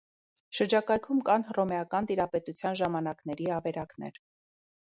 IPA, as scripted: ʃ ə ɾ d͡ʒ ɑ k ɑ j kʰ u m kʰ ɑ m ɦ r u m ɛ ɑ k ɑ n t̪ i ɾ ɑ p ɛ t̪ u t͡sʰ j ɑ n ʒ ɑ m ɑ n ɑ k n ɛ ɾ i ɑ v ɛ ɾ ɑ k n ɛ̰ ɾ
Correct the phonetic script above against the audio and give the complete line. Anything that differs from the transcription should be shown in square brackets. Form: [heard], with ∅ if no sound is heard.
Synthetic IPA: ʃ ə ɾ d͡ʒ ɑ k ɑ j kʰ u m [k] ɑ [n] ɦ r [ɔ] m ɛ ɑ k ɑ n t̪ i ɾ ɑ p ɛ t̪ u t͡sʰ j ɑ n ʒ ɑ m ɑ n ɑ k n ɛ ɾ i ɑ v ɛ ɾ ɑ k n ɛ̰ ɾ